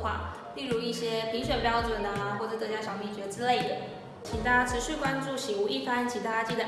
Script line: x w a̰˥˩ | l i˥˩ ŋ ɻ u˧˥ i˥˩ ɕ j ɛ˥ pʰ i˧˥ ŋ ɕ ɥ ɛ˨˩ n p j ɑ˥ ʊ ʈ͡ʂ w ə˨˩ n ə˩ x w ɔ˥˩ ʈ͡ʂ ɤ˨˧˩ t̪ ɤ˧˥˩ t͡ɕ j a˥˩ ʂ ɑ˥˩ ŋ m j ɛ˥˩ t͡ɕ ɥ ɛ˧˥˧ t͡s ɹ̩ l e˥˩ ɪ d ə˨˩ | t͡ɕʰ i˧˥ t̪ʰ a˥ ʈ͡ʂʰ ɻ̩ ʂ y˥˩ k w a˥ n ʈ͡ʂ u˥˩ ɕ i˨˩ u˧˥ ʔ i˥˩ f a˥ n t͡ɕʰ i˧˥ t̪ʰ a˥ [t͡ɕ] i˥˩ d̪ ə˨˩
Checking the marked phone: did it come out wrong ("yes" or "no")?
no